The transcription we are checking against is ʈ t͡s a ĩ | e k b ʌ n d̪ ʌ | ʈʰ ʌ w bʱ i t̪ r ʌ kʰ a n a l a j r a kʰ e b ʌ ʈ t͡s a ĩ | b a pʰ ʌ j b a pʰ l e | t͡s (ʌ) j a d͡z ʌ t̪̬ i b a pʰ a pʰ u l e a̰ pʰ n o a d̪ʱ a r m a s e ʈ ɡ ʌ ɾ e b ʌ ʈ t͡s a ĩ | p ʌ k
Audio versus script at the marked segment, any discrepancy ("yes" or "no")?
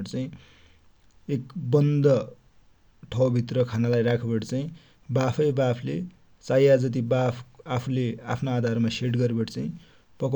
yes